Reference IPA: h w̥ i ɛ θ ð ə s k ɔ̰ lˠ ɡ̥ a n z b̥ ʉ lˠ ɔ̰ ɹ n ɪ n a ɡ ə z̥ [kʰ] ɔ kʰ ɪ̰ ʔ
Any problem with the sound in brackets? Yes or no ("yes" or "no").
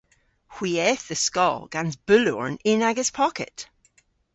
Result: yes